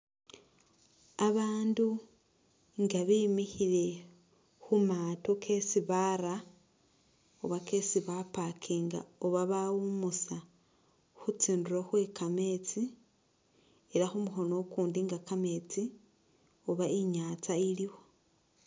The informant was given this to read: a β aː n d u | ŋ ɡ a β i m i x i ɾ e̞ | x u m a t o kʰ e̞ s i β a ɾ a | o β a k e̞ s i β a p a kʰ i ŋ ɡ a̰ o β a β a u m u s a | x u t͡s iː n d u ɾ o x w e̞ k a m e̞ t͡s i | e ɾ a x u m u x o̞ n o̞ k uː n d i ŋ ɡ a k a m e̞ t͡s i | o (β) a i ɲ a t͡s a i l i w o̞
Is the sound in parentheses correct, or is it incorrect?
correct